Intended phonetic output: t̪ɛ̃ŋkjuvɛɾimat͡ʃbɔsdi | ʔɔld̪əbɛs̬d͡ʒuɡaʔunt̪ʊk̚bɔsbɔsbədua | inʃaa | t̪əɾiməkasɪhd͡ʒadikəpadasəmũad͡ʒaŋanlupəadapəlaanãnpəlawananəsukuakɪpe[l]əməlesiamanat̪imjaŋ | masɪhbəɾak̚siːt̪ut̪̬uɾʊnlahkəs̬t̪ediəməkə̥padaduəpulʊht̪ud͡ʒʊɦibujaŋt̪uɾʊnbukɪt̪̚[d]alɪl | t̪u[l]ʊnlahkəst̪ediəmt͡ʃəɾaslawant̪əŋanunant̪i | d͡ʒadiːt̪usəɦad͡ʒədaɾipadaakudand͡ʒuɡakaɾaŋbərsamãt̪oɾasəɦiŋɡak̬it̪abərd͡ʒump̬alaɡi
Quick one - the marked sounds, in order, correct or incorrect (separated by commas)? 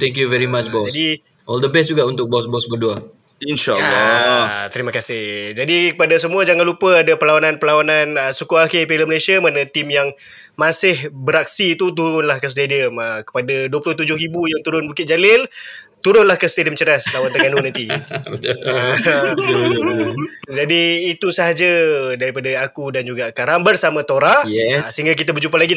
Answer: correct, incorrect, incorrect